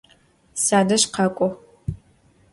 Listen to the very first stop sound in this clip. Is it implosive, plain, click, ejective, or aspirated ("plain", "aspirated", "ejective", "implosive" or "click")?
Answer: plain